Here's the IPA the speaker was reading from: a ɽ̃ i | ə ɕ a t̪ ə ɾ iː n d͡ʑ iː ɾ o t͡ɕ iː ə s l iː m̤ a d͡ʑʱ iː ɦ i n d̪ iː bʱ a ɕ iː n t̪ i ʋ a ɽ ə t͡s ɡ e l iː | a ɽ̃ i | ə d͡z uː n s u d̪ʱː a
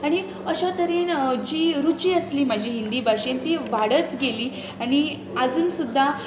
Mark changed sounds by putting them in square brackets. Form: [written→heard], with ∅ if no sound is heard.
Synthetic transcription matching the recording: a ɽ̃ i | ə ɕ a t̪ ə ɾ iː n d͡ʑ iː ɾ [o→u] t͡ɕ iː ə s l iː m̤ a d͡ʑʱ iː ɦ i n d̪ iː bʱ a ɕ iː n t̪ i ʋ a ɽ ə t͡s ɡ e l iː | a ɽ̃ i | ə d͡z uː n s u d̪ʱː a

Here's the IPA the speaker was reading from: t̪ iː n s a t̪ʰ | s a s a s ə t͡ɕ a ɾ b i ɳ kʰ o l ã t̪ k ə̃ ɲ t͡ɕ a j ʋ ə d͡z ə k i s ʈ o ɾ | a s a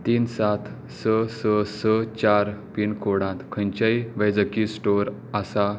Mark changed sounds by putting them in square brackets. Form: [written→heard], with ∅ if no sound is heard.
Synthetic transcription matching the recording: t̪ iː n s a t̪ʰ | s [a→ə] s [a→ə] s ə t͡ɕ a ɾ [b→p] i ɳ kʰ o [l→ɽ] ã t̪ [k→kʰ] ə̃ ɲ t͡ɕ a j ʋ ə d͡z ə k i s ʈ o ɾ | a s a

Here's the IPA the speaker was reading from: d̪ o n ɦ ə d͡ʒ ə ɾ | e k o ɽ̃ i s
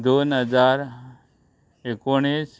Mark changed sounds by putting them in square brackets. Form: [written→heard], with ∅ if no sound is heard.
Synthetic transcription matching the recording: d̪ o n ɦ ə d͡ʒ [ə→a] ɾ | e k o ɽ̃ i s

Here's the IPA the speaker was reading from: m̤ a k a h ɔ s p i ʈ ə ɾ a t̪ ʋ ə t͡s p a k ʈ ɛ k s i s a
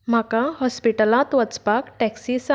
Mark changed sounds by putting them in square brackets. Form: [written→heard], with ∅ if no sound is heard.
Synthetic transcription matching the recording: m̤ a k a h ɔ s p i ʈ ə [ɾ→l] a t̪ ʋ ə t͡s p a k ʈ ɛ k s i s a

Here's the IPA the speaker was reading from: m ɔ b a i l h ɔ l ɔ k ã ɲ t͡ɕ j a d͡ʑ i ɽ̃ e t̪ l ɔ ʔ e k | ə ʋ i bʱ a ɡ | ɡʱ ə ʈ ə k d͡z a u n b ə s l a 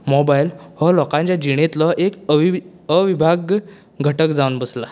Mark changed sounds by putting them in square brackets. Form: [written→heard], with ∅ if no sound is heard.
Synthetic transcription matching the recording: m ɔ b a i l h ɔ l ɔ k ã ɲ t͡ɕ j a d͡ʑ i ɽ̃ e t̪ l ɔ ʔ e k | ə ʋ i bʱ a ɡ | ɡʱ ə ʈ ə k d͡z a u n b ə s l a

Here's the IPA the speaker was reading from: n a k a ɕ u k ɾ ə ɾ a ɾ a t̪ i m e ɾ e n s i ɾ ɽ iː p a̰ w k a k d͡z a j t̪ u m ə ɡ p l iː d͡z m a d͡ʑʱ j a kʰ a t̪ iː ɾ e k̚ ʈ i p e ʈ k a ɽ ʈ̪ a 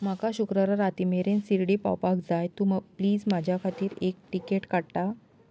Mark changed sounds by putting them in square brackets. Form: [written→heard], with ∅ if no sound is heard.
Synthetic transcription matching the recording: [n→m] a k a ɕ u k ɾ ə ɾ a ɾ a t̪ i m e ɾ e n s i ɾ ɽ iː p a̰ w [k→p] a k d͡z a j t̪ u m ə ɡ p l iː d͡z m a d͡ʑʱ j a kʰ a t̪ iː ɾ e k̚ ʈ i [p→k] e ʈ k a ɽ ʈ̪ a

